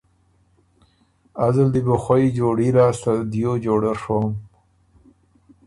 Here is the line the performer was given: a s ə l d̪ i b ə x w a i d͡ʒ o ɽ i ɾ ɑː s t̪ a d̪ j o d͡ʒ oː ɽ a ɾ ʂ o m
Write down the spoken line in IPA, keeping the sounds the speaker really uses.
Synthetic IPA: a z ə l d̪ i b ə x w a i d͡ʒ o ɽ i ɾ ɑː s t̪ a d̪ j o d͡ʒ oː ɽ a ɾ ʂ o m